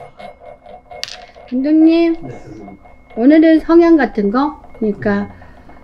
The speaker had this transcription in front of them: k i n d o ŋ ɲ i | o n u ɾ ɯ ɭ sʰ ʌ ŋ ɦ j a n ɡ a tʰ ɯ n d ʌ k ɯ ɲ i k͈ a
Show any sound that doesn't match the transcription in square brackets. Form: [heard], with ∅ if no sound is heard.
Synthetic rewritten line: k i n d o ŋ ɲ i | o n [ɯ] ɾ ɯ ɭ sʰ ʌ ŋ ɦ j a [ŋ] ɡ a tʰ ɯ n [ɡ] ʌ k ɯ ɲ i k͈ a